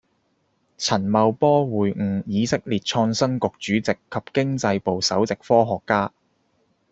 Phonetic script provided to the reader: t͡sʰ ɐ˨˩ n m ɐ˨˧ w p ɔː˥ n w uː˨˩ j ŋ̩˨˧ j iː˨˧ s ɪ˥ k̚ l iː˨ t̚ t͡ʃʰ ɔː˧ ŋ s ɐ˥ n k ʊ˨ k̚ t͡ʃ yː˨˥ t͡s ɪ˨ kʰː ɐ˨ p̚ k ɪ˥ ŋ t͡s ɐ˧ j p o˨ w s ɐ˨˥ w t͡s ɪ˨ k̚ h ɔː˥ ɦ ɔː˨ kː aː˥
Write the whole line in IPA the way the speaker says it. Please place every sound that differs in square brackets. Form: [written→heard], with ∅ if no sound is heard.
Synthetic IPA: t͡sʰ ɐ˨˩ n m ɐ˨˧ w p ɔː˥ [n→∅] w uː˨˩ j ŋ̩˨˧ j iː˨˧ s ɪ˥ k̚ l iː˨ t̚ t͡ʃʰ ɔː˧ ŋ s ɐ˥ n k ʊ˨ k̚ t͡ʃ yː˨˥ t͡s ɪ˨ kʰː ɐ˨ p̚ k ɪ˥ ŋ t͡s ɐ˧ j p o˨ w s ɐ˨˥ w t͡s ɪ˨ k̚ [h→f] ɔː˥ ɦ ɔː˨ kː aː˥

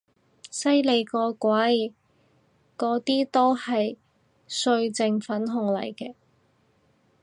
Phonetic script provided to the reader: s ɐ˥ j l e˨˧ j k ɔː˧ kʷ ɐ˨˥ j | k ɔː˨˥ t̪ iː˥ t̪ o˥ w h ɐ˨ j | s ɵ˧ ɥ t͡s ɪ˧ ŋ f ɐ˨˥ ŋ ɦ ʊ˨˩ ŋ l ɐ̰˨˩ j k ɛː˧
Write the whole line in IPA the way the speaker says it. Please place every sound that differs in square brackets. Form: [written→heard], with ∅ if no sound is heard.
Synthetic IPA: s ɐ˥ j l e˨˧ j k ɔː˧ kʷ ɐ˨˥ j | k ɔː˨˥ t̪ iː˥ t̪ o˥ w h ɐ˨ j | s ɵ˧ ɥ t͡s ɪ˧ ŋ f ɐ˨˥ [ŋ→n] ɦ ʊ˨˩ ŋ l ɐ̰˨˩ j k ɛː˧

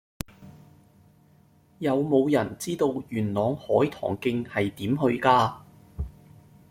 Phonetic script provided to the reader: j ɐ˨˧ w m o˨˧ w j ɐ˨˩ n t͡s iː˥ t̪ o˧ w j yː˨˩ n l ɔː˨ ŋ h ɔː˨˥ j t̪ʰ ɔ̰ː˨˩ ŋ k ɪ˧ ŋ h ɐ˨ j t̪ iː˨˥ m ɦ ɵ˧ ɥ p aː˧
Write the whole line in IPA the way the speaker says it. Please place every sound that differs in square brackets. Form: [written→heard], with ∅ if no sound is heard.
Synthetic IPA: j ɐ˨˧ w m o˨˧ w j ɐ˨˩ n t͡s iː˥ t̪ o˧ w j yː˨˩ n l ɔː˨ ŋ h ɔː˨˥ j t̪ʰ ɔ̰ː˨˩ ŋ k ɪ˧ ŋ h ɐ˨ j t̪ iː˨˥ m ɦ ɵ˧ ɥ [p→k] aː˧

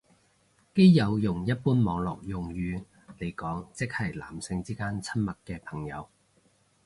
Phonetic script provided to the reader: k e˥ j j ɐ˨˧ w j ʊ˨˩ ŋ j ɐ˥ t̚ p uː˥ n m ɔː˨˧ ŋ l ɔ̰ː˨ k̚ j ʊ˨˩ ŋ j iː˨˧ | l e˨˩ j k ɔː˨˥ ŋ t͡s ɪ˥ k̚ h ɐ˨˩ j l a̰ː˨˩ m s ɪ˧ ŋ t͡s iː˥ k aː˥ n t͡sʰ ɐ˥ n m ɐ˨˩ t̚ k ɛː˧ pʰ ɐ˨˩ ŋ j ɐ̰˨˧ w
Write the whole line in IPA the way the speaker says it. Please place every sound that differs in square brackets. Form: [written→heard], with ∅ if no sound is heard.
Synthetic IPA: k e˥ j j ɐ˨˧ w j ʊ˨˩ ŋ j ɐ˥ t̚ p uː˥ n m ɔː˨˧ ŋ l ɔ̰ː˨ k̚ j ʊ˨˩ ŋ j [iː˨˧→yː˨˧] | l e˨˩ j k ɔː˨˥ ŋ t͡s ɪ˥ k̚ h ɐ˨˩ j l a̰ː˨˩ m s ɪ˧ ŋ t͡s iː˥ k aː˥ n t͡sʰ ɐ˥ n m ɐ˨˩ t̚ k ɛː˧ pʰ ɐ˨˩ ŋ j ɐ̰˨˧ w

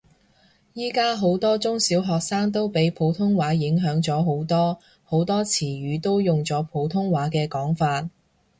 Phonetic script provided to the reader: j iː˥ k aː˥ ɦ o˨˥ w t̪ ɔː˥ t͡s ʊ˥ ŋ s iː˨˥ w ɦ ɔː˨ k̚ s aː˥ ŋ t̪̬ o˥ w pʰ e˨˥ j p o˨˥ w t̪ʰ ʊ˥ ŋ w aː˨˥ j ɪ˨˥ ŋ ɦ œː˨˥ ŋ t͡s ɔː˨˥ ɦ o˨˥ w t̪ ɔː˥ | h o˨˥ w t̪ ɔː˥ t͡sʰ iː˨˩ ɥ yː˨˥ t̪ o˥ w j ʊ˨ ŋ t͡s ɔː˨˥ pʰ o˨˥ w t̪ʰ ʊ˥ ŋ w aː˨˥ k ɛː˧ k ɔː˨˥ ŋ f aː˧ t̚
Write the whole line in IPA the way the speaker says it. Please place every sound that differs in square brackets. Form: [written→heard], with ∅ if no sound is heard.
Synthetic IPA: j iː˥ k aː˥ ɦ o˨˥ w t̪ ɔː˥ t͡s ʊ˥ ŋ s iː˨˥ w ɦ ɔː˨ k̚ s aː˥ ŋ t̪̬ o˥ w [pʰ→p] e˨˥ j [p→pʰ] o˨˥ w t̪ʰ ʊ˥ ŋ w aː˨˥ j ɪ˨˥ ŋ ɦ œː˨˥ ŋ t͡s ɔː˨˥ ɦ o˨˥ w t̪ ɔː˥ | h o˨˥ w t̪ ɔː˥ t͡sʰ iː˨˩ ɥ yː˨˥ t̪ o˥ w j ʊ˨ ŋ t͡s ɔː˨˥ pʰ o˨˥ w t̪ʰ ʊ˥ ŋ w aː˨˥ k ɛː˧ k ɔː˨˥ ŋ f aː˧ t̚

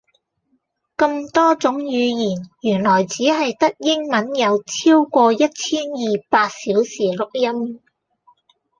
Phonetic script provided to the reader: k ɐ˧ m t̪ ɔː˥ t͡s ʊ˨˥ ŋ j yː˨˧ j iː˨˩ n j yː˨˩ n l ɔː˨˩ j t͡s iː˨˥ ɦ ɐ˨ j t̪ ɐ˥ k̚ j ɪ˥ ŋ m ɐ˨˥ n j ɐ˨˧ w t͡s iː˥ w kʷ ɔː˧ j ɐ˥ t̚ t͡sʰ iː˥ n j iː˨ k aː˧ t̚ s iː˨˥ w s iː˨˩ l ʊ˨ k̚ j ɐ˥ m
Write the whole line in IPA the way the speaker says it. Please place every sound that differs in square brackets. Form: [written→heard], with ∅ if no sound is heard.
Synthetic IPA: k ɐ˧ m t̪ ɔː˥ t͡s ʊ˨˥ ŋ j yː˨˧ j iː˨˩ n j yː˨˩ n l ɔː˨˩ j t͡s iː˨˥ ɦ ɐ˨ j t̪ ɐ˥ k̚ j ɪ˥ ŋ m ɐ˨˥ n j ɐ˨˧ w [t͡s→t͡sʰ] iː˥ w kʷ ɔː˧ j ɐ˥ t̚ t͡sʰ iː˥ n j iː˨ [k→p] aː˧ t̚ s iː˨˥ w s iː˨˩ l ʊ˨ k̚ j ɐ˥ m

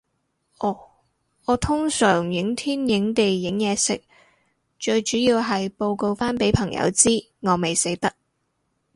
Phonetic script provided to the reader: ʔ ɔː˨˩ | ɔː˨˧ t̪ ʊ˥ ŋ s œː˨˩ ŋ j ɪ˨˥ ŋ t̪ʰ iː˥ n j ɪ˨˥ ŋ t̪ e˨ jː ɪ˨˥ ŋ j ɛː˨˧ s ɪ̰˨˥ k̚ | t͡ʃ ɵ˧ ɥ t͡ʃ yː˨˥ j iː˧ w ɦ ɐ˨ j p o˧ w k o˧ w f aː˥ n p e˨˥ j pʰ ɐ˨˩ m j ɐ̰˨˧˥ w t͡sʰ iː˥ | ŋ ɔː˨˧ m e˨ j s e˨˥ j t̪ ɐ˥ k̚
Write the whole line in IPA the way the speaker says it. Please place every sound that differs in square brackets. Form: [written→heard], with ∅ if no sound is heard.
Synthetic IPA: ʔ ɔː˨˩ | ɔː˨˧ [t̪→t̪ʰ] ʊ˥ ŋ s œː˨˩ ŋ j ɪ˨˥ ŋ t̪ʰ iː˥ n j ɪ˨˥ ŋ t̪ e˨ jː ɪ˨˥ ŋ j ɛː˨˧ s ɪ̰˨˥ k̚ | t͡ʃ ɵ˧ ɥ t͡ʃ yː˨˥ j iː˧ w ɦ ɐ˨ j p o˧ w k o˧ w f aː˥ n p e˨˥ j pʰ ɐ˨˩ [m→ŋ] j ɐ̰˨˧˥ w [t͡sʰ→t͡s] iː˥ | ŋ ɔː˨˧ m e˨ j s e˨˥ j t̪ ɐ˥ k̚

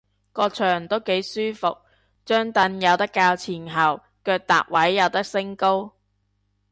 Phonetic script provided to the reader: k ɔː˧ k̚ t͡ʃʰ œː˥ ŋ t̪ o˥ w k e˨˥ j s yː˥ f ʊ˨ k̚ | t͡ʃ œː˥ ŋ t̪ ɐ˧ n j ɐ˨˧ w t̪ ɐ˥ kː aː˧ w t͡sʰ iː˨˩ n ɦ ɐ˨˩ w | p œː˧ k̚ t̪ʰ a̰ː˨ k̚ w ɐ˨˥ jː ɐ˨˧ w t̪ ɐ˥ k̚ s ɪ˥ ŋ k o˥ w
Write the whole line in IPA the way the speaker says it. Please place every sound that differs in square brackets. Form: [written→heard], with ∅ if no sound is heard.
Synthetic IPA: k ɔː˧ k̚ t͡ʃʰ [œː˥→œː˨˩] ŋ t̪ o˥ w k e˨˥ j s yː˥ f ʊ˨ k̚ | t͡ʃ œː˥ ŋ t̪ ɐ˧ n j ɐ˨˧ w t̪ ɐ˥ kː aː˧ w t͡sʰ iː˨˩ n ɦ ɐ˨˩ w | [p→k] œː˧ k̚ [t̪ʰ→t̪] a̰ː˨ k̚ w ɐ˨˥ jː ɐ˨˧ w t̪ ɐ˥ k̚ s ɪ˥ ŋ k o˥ w

